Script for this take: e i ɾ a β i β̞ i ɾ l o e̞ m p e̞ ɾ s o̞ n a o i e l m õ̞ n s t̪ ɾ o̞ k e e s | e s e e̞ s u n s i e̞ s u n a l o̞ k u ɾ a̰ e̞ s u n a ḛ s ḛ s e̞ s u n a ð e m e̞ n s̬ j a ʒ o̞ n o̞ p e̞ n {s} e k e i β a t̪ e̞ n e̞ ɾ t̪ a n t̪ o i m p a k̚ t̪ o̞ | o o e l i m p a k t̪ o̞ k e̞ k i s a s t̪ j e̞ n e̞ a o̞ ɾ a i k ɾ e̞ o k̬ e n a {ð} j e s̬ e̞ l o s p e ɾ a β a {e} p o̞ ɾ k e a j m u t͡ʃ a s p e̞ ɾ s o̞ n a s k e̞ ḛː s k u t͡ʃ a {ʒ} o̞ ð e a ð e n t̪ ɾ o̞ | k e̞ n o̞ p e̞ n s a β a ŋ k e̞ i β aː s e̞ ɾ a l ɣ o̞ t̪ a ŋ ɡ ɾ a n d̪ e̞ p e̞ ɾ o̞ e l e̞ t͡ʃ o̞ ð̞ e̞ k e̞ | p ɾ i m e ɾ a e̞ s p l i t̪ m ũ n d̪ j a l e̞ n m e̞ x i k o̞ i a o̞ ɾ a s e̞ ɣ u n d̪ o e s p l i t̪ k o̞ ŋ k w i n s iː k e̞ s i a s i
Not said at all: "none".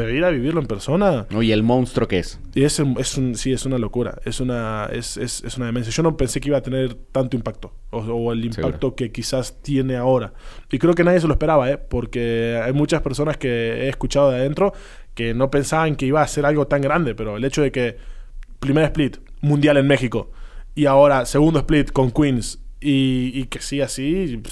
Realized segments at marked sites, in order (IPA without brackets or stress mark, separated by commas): s, ð, e, ð